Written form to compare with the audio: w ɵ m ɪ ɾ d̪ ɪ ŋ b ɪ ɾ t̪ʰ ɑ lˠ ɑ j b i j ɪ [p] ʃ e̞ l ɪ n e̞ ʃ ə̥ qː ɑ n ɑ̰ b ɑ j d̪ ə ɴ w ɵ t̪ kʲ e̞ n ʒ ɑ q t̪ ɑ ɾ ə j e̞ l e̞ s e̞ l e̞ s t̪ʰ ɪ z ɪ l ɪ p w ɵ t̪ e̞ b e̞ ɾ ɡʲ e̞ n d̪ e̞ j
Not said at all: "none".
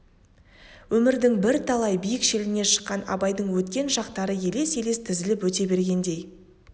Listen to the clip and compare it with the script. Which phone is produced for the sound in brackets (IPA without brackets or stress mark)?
k